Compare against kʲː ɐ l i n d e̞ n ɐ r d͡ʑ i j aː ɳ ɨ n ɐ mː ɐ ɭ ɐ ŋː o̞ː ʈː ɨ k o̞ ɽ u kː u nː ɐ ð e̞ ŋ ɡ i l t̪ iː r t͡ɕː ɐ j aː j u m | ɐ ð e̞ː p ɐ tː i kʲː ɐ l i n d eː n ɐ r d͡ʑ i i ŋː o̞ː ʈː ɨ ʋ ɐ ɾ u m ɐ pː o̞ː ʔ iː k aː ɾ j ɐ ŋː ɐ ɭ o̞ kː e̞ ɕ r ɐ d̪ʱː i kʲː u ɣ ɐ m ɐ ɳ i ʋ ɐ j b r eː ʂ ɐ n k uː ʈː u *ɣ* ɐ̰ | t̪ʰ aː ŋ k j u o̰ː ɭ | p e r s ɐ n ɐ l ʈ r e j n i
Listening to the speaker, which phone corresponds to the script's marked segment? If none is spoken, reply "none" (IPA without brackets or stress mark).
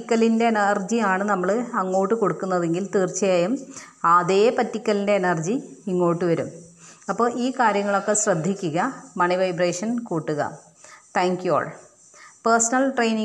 ɣ